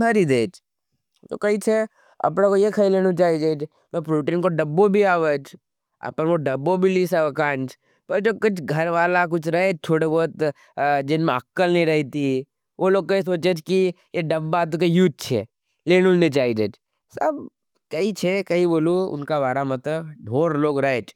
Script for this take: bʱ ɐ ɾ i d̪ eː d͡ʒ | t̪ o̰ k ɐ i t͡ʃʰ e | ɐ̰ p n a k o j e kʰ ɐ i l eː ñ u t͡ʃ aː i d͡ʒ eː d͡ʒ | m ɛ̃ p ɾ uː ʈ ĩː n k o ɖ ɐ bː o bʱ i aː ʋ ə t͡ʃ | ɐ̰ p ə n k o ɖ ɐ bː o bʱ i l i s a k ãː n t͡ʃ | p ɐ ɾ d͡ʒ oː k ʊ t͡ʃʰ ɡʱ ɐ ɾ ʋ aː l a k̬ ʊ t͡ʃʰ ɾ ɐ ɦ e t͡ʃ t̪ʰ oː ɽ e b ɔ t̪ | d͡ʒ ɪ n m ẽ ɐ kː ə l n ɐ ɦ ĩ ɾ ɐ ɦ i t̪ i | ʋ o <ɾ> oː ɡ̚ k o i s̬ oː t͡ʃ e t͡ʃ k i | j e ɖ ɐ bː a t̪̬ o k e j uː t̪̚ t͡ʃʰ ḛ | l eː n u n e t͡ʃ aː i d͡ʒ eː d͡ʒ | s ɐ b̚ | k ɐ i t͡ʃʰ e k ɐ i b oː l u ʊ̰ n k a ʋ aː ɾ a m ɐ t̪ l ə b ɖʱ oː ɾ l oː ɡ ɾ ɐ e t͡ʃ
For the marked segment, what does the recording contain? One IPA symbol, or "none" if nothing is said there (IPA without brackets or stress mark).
l